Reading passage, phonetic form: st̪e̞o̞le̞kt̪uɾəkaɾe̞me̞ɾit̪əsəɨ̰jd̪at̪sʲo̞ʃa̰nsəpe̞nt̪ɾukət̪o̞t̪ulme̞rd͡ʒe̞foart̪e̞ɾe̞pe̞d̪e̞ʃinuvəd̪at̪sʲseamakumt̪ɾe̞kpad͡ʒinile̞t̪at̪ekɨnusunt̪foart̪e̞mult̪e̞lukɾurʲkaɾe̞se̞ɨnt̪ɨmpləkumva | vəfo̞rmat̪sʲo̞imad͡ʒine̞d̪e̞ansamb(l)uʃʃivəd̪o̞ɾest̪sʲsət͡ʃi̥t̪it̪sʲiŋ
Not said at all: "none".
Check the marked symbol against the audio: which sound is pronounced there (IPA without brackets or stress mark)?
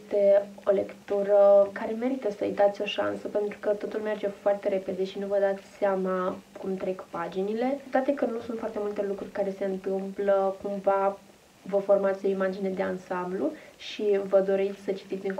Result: l